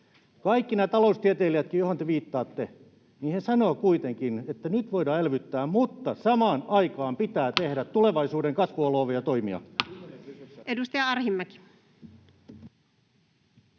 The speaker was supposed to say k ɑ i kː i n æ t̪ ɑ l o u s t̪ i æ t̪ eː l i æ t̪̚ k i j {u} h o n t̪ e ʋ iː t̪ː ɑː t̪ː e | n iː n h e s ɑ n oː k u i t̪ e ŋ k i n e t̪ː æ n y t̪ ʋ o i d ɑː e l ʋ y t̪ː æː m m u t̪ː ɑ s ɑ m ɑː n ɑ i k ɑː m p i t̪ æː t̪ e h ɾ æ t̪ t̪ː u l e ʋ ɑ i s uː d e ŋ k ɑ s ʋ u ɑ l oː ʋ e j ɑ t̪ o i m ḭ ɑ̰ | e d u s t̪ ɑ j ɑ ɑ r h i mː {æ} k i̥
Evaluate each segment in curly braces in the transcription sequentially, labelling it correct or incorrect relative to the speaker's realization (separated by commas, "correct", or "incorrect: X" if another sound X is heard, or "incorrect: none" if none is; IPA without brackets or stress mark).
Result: incorrect: o, correct